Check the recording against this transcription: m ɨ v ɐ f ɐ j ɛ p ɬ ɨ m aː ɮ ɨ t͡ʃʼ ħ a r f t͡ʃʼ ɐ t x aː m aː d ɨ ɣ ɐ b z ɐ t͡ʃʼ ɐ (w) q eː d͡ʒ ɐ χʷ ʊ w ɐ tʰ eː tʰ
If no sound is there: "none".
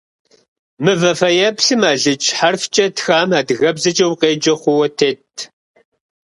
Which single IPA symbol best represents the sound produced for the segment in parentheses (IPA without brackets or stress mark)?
w